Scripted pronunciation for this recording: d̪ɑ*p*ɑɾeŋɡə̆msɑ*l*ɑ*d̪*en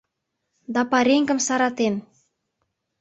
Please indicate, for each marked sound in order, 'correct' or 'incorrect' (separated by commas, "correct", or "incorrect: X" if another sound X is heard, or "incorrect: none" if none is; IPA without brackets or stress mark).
correct, incorrect: ɾ, incorrect: t̪